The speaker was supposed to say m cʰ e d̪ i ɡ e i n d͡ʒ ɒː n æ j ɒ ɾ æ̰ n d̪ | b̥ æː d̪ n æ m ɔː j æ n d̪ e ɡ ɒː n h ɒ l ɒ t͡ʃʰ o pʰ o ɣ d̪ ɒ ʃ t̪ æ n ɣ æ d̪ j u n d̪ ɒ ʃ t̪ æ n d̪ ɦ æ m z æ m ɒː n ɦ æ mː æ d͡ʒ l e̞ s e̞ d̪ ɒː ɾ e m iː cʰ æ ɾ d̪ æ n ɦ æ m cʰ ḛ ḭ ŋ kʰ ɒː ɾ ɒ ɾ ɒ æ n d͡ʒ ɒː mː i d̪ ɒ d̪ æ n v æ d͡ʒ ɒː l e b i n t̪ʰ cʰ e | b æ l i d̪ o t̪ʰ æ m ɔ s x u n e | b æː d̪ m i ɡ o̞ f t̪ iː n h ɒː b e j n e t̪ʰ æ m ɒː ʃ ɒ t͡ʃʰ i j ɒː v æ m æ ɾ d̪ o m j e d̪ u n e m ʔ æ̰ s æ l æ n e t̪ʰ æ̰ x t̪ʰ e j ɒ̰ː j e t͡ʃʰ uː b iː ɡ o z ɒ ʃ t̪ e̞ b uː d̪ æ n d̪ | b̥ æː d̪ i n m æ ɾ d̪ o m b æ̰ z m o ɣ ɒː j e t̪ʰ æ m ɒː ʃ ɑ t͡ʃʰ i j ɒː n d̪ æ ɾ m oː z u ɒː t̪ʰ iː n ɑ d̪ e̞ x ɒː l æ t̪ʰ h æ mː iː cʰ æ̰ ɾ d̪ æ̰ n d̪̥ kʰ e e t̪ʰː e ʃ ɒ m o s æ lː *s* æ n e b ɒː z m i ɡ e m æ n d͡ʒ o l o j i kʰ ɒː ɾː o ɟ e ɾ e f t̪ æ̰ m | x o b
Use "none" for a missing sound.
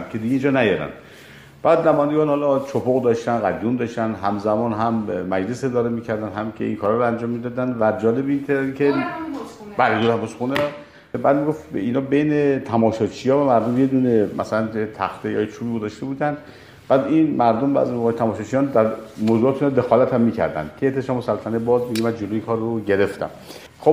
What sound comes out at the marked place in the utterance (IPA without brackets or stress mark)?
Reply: f